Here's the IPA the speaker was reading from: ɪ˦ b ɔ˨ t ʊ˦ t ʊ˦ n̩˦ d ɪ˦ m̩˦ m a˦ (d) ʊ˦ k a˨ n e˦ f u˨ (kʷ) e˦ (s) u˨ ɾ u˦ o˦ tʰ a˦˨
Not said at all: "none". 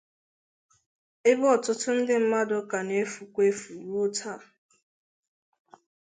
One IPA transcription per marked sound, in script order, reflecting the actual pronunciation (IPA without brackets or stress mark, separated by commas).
d, kʷ, f